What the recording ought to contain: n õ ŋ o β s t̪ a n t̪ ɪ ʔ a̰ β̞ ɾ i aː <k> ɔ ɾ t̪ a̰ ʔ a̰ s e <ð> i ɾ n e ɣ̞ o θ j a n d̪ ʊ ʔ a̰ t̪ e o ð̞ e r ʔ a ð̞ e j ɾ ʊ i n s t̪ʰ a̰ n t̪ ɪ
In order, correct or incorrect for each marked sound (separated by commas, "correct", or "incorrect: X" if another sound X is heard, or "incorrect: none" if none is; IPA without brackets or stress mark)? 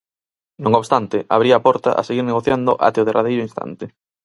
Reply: incorrect: p, incorrect: ɣ